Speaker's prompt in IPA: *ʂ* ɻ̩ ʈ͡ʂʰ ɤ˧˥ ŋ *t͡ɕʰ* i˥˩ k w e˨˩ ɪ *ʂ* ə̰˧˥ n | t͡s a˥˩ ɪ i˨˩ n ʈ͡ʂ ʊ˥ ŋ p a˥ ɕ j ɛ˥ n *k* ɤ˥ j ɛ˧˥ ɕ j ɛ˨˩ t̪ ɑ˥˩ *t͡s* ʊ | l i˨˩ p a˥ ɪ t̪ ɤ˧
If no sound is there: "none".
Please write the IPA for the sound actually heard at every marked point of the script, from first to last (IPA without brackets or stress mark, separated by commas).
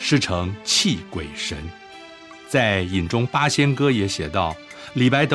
ʂ, t͡ɕʰ, ʂ, k, none